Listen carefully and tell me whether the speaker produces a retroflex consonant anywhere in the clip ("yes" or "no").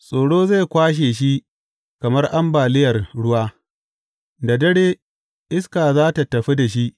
yes